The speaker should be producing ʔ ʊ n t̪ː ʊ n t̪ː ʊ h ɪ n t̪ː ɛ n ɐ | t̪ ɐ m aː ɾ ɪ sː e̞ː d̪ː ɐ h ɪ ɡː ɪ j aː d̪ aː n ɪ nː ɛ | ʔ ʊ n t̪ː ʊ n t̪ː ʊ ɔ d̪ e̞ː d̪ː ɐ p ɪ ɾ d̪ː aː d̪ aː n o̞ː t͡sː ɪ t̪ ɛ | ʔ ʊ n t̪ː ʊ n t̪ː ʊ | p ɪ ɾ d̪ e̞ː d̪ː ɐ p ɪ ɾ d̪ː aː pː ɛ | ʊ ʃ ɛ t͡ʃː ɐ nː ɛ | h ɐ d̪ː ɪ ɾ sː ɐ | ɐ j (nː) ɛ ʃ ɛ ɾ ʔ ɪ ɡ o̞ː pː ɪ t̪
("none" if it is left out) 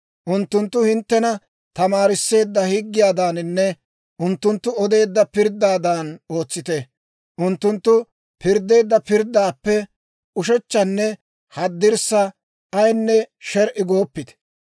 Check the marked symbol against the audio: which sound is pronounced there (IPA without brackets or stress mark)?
nː